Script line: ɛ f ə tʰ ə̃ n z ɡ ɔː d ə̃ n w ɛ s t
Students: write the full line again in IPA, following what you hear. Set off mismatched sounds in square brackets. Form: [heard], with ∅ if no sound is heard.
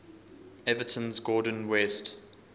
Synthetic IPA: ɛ [v] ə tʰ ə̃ n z ɡ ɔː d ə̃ n w ɛ s t